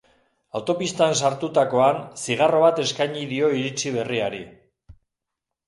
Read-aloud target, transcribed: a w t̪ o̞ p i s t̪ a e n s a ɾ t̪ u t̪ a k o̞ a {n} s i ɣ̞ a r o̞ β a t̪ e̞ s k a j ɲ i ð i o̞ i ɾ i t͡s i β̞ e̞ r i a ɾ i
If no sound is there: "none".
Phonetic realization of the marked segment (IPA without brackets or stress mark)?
n